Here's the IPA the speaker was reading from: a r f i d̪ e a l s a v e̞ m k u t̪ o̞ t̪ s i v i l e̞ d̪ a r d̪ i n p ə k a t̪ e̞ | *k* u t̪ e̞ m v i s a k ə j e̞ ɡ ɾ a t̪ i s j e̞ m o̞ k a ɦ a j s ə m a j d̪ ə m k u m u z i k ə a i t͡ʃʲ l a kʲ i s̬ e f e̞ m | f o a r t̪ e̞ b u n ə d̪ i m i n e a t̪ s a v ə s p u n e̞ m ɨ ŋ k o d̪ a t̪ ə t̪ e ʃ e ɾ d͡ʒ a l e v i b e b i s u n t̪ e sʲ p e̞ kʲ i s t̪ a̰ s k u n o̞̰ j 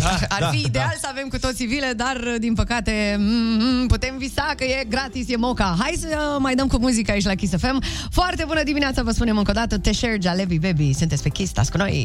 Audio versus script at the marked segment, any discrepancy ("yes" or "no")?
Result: yes